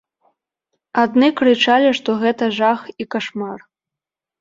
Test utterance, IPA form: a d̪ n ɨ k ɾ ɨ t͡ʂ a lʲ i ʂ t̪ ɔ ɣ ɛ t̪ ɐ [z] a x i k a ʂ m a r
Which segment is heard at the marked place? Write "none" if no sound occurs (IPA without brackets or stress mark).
ʐ